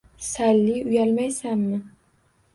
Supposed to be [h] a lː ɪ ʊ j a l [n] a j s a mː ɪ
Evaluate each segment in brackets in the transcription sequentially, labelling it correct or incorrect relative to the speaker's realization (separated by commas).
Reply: incorrect, incorrect